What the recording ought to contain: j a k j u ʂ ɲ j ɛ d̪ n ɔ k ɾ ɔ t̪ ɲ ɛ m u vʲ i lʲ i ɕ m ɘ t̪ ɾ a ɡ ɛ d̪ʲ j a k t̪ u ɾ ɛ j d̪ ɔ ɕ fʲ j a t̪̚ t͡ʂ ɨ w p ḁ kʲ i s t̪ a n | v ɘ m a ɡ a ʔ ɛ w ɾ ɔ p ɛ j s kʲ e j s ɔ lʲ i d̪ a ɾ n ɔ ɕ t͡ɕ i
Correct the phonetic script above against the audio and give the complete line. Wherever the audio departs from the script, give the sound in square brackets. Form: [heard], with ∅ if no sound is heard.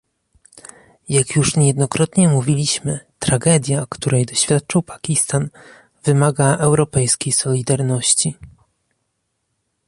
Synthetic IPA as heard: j a k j u ʂ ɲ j ɛ d̪ n ɔ k ɾ ɔ t̪ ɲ ɛ m u vʲ i lʲ i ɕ m ɘ t̪ ɾ a ɡ ɛ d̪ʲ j a k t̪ u ɾ ɛ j d̪ ɔ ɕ fʲ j a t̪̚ t͡ʂ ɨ w p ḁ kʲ i s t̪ a n | v ɘ m a ɡ a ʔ ɛ w ɾ ɔ p ɛ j s kʲ e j s ɔ lʲ i d̪ a ɾ n ɔ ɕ t͡ɕ i